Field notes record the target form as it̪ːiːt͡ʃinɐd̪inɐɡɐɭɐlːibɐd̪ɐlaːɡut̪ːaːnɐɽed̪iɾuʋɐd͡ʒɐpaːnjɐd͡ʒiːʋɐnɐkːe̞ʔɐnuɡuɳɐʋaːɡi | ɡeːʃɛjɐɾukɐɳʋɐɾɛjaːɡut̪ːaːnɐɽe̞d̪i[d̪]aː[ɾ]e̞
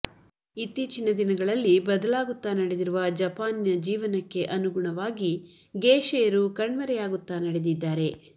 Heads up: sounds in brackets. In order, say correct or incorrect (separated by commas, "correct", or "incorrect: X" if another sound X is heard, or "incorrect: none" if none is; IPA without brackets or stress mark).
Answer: incorrect: d̪ː, correct